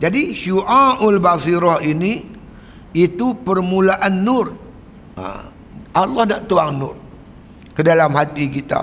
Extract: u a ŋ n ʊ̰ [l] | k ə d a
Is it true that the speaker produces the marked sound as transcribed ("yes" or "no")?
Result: no